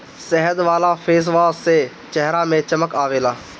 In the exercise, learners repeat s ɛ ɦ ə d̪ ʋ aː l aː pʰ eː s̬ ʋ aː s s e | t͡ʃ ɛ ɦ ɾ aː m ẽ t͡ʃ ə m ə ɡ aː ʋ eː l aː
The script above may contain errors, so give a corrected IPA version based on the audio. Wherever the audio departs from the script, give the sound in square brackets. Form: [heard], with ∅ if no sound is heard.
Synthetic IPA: s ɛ ɦ ə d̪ ʋ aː l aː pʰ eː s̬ ʋ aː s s e | t͡ʃ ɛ ɦ ɾ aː m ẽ t͡ʃ ə m ə [k] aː ʋ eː l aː